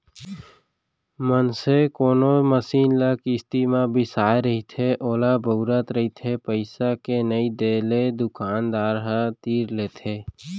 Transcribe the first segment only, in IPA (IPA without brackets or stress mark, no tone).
m